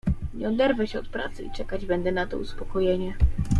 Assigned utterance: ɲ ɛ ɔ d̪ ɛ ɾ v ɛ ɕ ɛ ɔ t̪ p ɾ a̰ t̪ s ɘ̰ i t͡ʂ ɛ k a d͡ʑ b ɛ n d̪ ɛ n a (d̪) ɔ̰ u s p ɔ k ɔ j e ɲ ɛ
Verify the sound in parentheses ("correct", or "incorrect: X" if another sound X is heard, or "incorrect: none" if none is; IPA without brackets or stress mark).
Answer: incorrect: t̪